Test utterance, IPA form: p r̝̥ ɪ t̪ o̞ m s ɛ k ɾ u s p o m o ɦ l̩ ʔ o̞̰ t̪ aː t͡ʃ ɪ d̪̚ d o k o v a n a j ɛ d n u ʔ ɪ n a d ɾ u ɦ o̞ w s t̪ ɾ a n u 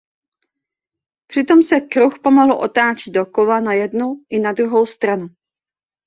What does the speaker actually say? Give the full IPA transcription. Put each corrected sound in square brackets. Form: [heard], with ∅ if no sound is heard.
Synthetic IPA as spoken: p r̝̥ ɪ t̪ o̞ m s ɛ k ɾ u [x] p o m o ɦ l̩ ʔ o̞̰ t̪ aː t͡ʃ ɪ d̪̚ d o k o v a n a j ɛ d n u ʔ ɪ n a d ɾ u ɦ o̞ w s t̪ ɾ a n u